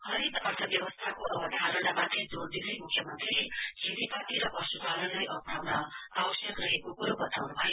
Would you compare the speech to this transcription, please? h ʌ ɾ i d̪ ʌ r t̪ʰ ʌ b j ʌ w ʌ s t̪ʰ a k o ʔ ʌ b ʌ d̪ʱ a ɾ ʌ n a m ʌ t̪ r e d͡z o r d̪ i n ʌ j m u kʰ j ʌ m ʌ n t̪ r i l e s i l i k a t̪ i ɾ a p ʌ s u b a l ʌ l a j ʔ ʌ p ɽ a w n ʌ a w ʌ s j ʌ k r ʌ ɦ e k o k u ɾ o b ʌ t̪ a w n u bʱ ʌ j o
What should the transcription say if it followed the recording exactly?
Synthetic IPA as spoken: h ʌ ɾ i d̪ ʌ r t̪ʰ ʌ b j ʌ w ʌ s t̪ʰ a k o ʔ ʌ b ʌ d̪ʱ a ɾ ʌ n a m a t̪ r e d͡z o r d̪ i n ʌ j m u kʰ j ʌ m ʌ n t̪ r i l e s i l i p a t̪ i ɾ ʌ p ʌ s u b a l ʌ l a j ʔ ʌ p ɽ a w n ʌ a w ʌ s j ʌ k r ʌ ɦ e k o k u ɾ o b ʌ t̪ a w n u bʱ ʌ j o